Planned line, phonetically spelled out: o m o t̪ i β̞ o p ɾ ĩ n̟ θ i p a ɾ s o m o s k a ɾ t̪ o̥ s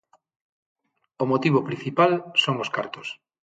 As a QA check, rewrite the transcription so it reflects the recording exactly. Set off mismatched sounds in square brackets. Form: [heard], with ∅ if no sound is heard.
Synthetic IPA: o m o t̪ i β̞ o p ɾ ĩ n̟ θ i p a [l] s o [ŋ] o s k a ɾ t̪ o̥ s